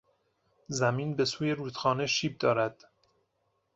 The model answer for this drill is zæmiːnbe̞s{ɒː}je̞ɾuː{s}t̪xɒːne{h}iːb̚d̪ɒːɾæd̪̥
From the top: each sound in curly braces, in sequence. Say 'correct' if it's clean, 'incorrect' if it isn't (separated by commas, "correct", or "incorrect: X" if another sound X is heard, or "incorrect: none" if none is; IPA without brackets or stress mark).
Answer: incorrect: uː, incorrect: none, incorrect: ʃ